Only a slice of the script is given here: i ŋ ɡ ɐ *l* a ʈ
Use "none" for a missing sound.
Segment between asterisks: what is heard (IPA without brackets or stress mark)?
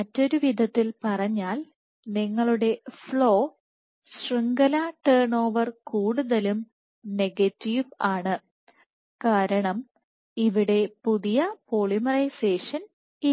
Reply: l